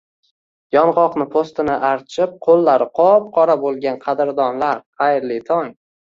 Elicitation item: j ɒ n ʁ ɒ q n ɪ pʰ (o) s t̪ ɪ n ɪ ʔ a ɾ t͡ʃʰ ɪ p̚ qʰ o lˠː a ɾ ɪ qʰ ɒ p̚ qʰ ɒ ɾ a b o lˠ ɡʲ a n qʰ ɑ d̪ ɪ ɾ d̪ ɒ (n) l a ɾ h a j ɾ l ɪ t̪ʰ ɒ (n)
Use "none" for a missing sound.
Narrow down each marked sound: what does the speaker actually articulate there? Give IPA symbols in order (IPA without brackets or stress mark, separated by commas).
o, n, ŋ